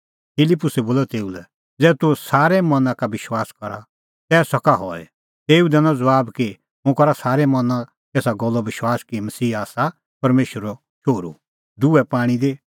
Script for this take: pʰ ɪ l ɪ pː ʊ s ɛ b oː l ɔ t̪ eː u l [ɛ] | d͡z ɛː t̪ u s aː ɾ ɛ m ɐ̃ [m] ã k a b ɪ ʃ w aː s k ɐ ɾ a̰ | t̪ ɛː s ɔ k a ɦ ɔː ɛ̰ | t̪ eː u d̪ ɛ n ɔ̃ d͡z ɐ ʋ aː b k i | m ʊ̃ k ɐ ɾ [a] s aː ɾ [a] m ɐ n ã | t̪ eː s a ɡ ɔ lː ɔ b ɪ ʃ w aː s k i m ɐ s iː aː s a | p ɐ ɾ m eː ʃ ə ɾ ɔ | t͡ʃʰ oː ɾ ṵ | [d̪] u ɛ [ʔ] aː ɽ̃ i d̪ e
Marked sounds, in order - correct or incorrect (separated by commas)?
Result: correct, incorrect, correct, incorrect, correct, incorrect